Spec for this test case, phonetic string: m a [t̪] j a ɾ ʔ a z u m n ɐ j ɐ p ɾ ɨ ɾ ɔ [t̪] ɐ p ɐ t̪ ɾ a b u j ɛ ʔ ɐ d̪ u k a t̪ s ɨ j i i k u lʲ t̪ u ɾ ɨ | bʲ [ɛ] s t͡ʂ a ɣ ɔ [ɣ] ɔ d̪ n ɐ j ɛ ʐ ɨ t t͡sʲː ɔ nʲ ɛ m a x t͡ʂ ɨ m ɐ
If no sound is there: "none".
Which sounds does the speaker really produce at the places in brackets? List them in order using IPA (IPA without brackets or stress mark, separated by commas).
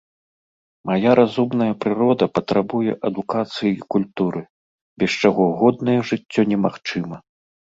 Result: none, d̪, ɛ, ɣ